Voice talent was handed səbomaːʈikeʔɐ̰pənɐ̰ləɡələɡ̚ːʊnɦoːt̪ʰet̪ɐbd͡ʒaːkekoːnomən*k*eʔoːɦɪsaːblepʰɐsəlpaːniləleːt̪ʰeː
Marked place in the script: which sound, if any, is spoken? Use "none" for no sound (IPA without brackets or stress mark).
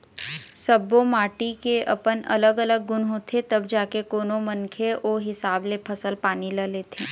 kʰ